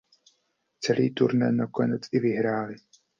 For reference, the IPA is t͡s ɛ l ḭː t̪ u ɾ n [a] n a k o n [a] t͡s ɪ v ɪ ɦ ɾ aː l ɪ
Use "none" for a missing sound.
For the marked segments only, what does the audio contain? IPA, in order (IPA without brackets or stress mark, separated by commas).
ɛ, ɛ